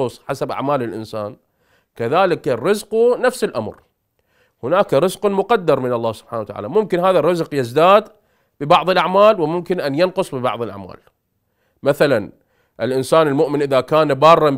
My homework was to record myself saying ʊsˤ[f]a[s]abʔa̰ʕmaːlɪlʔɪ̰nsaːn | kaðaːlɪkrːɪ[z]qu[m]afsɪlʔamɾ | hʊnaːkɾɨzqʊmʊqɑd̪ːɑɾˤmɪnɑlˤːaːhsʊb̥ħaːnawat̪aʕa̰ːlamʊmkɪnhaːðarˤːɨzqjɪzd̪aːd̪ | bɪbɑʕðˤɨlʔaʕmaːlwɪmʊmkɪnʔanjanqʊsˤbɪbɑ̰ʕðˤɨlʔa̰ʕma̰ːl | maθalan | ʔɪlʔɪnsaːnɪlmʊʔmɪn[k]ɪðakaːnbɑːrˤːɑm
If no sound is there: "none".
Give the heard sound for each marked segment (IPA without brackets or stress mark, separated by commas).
ħ, s, z, n, ʔ